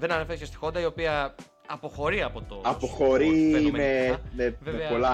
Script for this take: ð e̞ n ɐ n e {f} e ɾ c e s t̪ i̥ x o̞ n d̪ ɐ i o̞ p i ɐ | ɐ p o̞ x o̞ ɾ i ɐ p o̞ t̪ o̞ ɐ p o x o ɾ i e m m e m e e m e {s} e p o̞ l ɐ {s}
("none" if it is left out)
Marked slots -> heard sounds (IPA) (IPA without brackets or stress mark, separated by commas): f, none, none